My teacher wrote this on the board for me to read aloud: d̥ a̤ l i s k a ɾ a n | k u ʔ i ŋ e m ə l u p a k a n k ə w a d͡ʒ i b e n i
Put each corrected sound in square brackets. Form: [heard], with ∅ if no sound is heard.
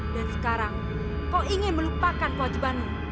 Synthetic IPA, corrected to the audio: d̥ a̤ [ɾ] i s k a ɾ a [ŋ] | k [ɔ] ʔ i ŋ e m ə l u p a k a n k ə w a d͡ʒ i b [a] n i